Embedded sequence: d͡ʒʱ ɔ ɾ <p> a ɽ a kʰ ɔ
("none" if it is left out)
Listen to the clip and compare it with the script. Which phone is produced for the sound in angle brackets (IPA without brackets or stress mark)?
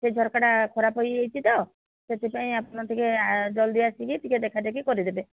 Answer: k